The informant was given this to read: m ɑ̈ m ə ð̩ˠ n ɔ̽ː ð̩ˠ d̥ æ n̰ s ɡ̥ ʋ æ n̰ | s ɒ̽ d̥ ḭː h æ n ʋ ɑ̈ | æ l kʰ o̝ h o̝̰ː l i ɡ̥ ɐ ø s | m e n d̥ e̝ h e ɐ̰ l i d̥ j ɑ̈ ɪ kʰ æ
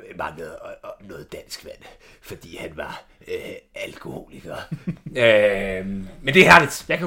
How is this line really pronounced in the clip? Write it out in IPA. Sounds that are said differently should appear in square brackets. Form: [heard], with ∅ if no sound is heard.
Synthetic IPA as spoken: m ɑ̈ [ŋ] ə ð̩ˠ n ɔ̽ː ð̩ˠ d̥ æ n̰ s ɡ̥ ʋ æ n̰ | [f] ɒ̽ d̥ ḭː h æ n ʋ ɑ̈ | æ l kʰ o̝ h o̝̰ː l i ɡ̥ ɐ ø [∅] | m e n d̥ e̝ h [æ] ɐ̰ l i d̥ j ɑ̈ ɪ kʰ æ